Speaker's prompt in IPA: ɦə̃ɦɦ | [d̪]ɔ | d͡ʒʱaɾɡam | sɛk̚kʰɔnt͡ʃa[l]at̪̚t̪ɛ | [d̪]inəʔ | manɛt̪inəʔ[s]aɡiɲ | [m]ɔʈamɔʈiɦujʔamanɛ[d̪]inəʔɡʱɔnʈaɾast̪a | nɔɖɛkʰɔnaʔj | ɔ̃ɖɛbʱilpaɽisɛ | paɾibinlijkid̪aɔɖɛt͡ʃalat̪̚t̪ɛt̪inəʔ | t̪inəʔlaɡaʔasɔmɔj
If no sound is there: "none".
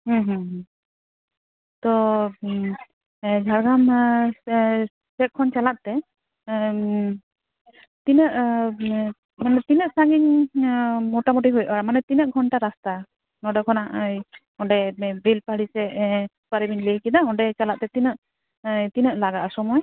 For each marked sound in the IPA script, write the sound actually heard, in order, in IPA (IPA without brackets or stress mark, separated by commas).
t̪, l, t̪, s, m, t̪